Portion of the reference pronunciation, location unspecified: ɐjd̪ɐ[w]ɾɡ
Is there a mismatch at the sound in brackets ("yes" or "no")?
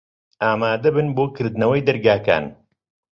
yes